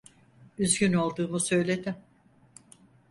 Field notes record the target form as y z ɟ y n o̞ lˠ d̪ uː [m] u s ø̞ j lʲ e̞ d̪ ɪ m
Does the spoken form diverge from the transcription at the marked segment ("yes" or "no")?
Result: no